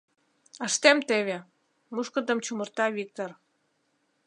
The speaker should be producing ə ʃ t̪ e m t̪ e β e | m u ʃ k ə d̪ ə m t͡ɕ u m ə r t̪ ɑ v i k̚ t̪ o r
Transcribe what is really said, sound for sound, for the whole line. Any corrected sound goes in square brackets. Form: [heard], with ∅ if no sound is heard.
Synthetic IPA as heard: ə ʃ t̪ e m t̪ e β e | m u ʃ k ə d̪ ə m t͡ɕ u m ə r t̪ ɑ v i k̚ t̪ o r